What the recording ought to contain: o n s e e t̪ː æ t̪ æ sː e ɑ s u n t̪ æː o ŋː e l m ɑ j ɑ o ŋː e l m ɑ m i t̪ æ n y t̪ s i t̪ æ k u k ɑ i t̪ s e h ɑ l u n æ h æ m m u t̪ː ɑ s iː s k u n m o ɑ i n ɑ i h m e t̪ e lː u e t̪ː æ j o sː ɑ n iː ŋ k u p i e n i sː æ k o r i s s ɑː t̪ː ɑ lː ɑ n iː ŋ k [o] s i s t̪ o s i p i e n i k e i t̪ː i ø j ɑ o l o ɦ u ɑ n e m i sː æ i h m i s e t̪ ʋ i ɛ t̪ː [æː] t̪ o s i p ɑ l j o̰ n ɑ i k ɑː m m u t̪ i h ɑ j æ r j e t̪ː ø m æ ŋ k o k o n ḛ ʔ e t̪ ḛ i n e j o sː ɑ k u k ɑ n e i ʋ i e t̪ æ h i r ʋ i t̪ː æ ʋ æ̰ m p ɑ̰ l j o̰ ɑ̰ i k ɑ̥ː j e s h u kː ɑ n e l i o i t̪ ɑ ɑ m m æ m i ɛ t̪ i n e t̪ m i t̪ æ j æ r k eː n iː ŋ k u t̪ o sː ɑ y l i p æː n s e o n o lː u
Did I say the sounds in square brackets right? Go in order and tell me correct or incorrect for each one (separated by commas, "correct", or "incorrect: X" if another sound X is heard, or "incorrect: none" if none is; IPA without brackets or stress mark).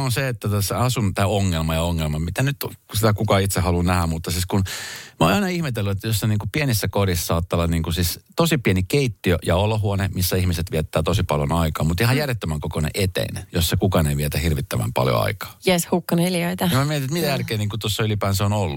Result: incorrect: u, correct